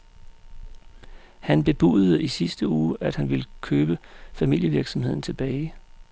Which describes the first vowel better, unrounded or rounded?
unrounded